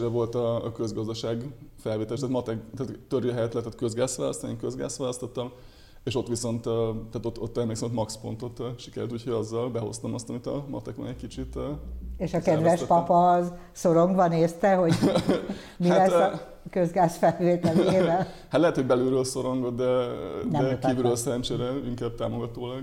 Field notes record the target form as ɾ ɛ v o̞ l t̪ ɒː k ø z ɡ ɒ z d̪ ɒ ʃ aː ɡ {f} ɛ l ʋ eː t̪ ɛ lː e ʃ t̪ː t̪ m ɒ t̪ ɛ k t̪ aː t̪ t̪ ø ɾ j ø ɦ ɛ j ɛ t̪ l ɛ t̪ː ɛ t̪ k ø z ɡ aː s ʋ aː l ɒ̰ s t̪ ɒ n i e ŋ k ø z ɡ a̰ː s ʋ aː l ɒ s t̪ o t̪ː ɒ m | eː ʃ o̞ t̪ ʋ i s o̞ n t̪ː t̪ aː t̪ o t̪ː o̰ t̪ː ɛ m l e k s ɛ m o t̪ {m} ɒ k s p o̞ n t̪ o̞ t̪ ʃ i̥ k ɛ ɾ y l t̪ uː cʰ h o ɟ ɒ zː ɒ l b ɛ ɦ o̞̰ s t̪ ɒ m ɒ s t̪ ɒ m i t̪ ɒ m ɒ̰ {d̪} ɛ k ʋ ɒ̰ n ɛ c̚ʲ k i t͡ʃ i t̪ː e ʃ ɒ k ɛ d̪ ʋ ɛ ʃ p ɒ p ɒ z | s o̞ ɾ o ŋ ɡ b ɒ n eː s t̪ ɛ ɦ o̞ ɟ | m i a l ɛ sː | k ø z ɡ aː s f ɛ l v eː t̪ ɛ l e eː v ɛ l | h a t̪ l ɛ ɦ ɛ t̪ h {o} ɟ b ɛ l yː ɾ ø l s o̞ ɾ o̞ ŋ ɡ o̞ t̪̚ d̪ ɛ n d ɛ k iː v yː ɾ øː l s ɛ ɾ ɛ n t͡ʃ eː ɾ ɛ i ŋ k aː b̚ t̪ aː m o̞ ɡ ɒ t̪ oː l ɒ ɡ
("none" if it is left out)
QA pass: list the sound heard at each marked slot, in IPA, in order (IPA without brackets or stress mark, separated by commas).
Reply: f, m, t̪, o